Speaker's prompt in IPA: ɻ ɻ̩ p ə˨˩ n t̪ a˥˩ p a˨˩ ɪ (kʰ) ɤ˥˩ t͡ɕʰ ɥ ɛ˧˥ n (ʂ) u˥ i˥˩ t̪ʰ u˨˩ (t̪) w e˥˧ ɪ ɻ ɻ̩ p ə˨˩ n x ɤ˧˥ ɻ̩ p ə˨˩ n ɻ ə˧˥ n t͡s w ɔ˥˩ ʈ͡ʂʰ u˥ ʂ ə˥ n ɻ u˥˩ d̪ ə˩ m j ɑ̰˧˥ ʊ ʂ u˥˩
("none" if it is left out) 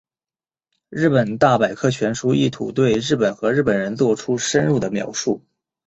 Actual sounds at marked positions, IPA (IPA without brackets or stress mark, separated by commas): kʰ, ʂ, t̪